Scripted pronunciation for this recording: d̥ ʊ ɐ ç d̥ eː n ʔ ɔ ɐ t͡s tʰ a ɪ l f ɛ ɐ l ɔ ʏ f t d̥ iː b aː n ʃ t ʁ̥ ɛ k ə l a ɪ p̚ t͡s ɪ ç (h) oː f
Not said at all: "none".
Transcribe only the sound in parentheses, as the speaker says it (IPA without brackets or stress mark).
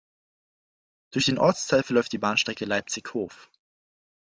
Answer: h